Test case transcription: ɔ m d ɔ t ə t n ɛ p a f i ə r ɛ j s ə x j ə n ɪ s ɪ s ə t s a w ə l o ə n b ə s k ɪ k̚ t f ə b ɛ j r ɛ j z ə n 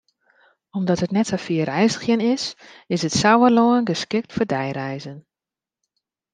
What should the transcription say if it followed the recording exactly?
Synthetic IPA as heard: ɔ m d ɔ t ə t n ɛ t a f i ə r ɛ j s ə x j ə n ɪ s ɪ s ə t s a w ə l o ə n ɡ ə s k ɪ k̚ t f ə d ɛ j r ɛ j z ə n